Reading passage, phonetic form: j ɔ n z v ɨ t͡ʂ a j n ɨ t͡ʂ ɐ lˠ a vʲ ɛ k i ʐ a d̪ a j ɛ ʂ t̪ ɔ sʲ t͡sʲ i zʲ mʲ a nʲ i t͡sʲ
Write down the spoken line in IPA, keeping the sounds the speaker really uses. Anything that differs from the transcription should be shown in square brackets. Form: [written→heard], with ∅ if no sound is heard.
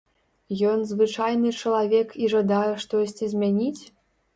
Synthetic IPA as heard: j ɔ n z v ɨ t͡ʂ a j n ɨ t͡ʂ ɐ lˠ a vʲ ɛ k i ʐ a d̪ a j ɛ ʂ t̪ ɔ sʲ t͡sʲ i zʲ mʲ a nʲ i t͡sʲ